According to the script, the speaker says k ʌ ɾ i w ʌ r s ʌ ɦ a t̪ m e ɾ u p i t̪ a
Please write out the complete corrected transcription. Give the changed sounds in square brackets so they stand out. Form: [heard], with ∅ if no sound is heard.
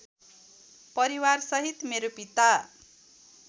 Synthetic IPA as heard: [p] ʌ ɾ i w [a] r s ʌ ɦ [i] t̪ m e ɾ [o] p i t̪ a